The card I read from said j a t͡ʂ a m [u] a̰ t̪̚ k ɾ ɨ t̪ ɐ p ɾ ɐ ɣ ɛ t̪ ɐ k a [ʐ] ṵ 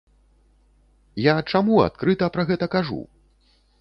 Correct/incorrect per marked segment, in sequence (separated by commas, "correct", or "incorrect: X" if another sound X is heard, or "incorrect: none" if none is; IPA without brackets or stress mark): correct, correct